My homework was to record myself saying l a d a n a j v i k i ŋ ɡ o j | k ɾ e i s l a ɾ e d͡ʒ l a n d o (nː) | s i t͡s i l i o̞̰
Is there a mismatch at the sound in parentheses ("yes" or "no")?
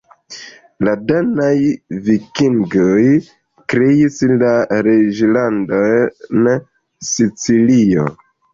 yes